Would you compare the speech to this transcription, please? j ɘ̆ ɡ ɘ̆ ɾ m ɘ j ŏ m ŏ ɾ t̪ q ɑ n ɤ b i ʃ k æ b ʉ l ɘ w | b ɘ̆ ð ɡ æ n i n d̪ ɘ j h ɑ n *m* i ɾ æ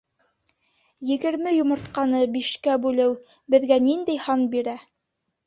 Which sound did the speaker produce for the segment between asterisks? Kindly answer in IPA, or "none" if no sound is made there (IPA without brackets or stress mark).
b